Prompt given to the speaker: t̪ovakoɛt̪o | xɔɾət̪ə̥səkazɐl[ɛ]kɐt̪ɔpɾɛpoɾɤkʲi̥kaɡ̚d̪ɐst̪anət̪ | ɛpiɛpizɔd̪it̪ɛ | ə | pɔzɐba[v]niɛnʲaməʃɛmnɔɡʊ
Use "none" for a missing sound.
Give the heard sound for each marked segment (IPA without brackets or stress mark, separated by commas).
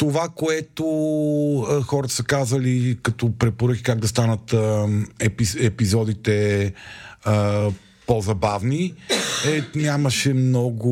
i, v